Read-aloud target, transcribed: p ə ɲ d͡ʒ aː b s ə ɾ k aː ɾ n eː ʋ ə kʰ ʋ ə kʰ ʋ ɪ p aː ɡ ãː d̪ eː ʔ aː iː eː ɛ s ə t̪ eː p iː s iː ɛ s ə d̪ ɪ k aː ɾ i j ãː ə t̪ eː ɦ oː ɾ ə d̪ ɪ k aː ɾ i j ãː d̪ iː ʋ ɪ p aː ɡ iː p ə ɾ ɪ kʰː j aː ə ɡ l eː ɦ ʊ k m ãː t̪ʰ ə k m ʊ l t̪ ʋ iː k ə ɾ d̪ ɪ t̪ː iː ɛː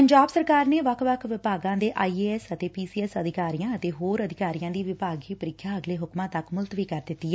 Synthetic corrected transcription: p ə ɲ d͡ʒ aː b s ə ɾ k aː ɾ n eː ʋ ə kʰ ʋ ə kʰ ʋ ɪ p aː ɡ ãː d̪ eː ʔ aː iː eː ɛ s ə t̪ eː p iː s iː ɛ s ə d̪ ɪ k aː ɾ i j ãː ə t̪ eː ɦ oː ɾ ə d̪ ɪ k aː ɾ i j ãː d̪ iː ʋ ɪ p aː ɡ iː p ə ɾ ɪ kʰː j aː ə ɡ l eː ɦ ʊ k m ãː t̪ ə k m ʊ l t̪ ʋ iː k ə ɾ d̪ ɪ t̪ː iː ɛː